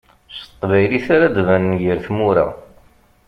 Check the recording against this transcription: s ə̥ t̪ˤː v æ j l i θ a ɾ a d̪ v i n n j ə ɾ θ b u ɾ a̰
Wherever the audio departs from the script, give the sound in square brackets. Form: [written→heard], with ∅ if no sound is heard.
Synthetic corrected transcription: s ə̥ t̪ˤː v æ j l i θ a ɾ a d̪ v [i→æ] n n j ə ɾ θ [b→m] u ɾ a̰